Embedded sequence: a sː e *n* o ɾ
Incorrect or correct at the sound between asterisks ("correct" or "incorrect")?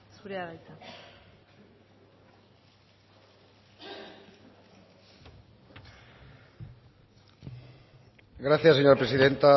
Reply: incorrect